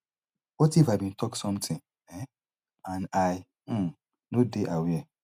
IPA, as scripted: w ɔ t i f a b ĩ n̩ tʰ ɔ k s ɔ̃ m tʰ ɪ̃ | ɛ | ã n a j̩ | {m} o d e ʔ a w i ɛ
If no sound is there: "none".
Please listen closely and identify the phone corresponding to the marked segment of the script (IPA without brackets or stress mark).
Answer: n